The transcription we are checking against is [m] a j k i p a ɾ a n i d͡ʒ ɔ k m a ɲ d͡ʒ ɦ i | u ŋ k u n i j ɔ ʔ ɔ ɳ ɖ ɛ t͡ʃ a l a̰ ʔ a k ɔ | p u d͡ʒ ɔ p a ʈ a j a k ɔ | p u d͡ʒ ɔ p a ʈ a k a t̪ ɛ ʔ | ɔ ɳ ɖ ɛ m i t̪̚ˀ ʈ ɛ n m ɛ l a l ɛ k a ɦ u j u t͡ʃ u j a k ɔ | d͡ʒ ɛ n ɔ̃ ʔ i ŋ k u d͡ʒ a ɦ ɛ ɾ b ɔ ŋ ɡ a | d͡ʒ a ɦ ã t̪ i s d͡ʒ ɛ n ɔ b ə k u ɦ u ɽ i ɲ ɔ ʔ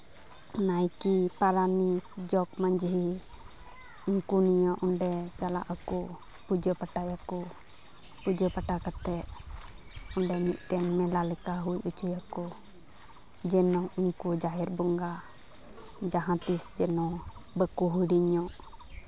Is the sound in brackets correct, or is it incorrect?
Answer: incorrect